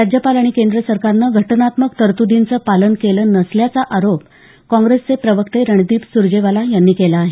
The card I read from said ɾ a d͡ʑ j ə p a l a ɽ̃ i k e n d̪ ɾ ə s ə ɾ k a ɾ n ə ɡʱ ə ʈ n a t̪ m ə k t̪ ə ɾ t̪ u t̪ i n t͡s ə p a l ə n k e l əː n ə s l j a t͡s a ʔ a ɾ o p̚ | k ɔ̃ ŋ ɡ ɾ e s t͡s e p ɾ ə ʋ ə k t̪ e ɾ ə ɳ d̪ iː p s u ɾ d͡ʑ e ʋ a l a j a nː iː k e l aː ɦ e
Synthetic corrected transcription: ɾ a d͡ʑ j ə p a l a ɽ̃ i k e n d̪ ɾ ə s ə ɾ k a ɾ n ə ɡʱ ə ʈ n a t̪ m ə k t̪ ə ɾ t̪ u d̪ i n t͡s ə p a l ə n k e l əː n ə s l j a t͡s a ʔ a ɾ o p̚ | k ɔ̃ ŋ ɡ ɾ e s t͡s e p ɾ ə ʋ ə k t̪ e ɾ ə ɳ d̪ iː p s u ɾ d͡ʑ e ʋ a l a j a nː iː k e l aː ɦ e

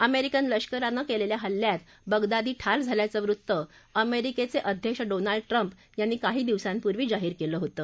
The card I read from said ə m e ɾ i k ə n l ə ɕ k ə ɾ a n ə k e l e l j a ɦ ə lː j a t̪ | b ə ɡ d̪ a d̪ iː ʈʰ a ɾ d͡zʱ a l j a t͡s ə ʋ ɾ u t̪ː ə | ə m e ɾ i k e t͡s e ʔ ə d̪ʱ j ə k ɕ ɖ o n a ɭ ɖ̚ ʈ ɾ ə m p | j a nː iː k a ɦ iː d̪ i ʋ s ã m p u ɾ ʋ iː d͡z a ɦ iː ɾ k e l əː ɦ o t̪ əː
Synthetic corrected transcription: ə m e ɾ i k ə n l ə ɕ k ə ɾ a n ə k e l e l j a ɦ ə lː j a t̪ | b ə ɡ d̪ a d̪ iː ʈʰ a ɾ d͡zʱ a l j a t͡s ə ʋ ɾ u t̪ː ə | ə m e ɾ i k e t͡s e ʔ ə d̪ʱ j ə k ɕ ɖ o n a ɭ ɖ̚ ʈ ɾ ə m p | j a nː iː k a ɦ iː d̪ i ʋ s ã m p u ɾ ʋ iː d͡z a ɦ iː ɾ k e l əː ɦ o t̪ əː

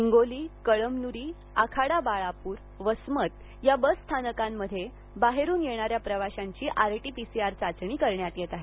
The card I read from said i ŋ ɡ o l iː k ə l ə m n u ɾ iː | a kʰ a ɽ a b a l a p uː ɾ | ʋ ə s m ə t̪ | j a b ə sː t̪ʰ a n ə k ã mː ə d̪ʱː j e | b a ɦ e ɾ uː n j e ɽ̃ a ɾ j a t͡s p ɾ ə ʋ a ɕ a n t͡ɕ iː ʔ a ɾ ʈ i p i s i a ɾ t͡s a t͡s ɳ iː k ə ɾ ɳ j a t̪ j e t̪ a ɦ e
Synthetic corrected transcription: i ŋ ɡ o l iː k ə ɭ ə m n u ɾ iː | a kʰ a ɽ a b a ɭ a p uː ɾ | ʋ ə s m ə t̪ | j a b ə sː t̪ʰ a n ə k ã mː ə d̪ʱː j e | b a ɦ e ɾ uː n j e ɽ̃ a ɾ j a p ɾ ə ʋ a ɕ a ɲ t͡ɕ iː ʔ a ɾ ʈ i p i s i a ɾ t͡s a t͡s ɳ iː k ə ɾ ɳ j a t̪ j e t̪ a ɦ e

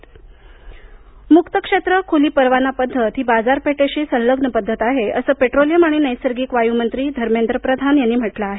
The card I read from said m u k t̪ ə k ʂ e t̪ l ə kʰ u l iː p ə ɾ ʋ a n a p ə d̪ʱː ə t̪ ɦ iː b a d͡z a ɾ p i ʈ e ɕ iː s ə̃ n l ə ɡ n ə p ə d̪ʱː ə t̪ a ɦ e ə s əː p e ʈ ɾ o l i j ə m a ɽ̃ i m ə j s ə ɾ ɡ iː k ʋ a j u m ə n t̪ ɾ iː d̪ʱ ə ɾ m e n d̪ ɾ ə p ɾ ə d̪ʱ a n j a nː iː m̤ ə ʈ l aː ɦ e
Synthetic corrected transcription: m u k t̪ ə k ʂ e t̪ ɾ ə kʰ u l iː p ə ɾ ʋ a n a p ə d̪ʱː ə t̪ ɦ iː b a d͡z a ɾ p e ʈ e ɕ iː s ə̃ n l ə ɡ n ə p ə d̪ʱː ə t̪ a ɦ e ə s əː p e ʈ ɾ o l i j ə m a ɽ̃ i n ə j s ə ɾ ɡ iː k ʋ a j u m ə n t̪ ɾ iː d̪ʱ ə ɾ m e n d̪ ɾ ə p ɾ ə d̪ʱ a n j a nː iː m̤ ə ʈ l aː ɦ e

